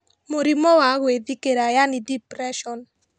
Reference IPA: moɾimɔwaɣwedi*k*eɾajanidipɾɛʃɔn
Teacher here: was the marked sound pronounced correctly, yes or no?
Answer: yes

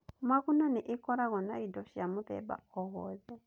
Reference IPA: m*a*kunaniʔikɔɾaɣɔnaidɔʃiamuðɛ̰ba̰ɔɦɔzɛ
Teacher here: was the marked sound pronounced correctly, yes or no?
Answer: yes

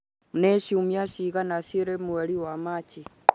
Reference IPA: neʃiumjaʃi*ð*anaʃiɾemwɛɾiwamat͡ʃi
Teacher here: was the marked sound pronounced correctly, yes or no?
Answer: no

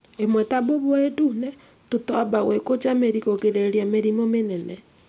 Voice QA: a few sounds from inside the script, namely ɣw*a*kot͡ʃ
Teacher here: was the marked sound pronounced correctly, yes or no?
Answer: no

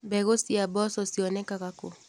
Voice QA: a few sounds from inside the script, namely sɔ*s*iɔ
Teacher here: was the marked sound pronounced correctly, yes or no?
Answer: yes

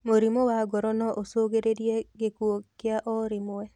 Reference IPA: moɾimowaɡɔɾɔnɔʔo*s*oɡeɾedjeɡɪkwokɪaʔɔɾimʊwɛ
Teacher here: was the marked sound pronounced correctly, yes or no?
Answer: yes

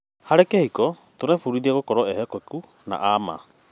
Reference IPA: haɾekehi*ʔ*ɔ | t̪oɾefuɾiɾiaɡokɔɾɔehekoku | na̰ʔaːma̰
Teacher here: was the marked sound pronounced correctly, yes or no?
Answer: no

